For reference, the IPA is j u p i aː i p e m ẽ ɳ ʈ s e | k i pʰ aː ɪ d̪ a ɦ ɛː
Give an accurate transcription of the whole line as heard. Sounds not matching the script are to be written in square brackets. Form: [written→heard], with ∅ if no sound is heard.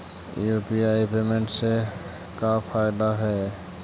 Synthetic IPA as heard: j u p i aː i p e m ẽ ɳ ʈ s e | k [i→a] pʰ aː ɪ d̪ a ɦ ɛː